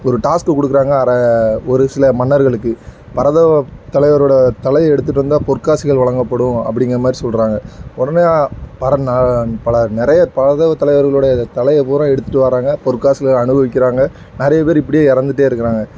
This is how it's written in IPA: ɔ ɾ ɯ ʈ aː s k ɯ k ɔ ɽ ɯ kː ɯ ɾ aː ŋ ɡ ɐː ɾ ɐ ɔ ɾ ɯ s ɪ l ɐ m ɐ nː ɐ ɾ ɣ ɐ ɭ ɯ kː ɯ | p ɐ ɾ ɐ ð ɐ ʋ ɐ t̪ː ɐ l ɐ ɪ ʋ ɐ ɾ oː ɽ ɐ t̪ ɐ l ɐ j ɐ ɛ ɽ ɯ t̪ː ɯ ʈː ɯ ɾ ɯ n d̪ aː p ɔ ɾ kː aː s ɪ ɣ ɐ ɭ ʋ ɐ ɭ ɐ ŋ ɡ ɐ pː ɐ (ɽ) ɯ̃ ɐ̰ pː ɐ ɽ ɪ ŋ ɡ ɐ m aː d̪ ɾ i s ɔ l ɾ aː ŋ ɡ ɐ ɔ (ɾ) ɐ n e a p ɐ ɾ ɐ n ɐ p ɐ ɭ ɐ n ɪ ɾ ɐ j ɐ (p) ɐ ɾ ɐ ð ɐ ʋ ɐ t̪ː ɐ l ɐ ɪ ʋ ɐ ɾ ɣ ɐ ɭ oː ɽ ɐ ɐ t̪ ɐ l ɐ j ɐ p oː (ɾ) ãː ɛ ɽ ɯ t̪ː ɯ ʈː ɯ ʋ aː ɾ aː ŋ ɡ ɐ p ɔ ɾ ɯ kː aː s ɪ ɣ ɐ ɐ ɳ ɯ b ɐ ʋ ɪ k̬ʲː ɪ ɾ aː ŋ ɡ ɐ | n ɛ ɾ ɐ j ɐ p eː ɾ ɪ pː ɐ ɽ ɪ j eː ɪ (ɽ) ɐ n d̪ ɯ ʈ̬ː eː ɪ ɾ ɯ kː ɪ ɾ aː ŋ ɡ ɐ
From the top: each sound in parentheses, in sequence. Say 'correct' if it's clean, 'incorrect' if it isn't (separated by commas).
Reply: correct, incorrect, correct, correct, incorrect